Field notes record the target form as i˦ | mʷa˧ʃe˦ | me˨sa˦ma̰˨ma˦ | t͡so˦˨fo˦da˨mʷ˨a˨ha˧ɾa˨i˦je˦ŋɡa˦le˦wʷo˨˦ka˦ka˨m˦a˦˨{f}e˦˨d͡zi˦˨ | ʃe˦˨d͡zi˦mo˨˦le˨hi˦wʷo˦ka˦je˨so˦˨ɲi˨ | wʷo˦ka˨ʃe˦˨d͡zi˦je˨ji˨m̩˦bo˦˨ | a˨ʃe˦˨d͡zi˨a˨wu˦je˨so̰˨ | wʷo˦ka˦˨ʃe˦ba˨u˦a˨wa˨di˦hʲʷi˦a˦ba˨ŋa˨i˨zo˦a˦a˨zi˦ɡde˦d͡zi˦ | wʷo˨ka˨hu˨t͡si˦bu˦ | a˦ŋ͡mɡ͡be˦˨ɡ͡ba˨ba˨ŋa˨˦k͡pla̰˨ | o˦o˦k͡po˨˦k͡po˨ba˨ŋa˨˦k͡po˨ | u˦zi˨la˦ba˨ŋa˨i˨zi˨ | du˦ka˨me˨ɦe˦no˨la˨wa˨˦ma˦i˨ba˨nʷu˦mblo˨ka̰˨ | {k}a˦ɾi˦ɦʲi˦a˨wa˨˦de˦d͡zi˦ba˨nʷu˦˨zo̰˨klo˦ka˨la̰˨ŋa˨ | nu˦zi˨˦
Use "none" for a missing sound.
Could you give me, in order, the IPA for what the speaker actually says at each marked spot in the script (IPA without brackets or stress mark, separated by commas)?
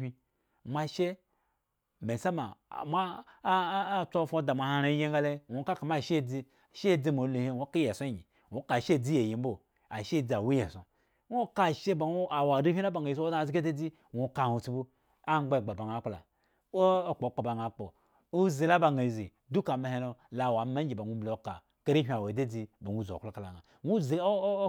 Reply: ʃ, k